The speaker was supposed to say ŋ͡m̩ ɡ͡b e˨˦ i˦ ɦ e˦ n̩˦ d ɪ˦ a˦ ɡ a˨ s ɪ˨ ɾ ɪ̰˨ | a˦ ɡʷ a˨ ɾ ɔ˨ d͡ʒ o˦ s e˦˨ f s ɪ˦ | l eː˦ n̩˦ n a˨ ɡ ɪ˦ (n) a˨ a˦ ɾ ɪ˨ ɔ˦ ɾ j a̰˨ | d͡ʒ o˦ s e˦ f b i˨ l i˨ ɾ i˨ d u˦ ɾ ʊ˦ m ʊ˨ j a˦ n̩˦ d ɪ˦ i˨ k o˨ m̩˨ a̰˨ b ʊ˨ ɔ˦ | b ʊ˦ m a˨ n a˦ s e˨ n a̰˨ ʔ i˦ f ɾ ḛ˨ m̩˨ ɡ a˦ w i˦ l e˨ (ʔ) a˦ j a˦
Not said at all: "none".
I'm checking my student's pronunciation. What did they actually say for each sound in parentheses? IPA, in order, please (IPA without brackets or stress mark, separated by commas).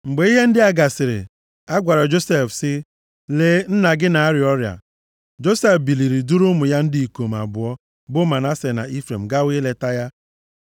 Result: n, t